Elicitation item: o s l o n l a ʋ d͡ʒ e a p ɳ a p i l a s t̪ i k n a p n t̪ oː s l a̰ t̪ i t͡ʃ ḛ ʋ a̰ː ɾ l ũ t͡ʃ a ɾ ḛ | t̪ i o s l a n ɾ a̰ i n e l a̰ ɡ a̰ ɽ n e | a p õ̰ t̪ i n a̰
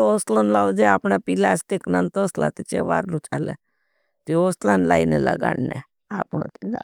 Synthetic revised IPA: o s l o n l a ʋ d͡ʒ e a p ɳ a p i l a s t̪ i k n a n t̪ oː s l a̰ t̪ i t͡ʃ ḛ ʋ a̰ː ɾ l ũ t͡ʃ a l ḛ | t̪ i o s l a n l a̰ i n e l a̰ ɡ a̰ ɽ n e | a p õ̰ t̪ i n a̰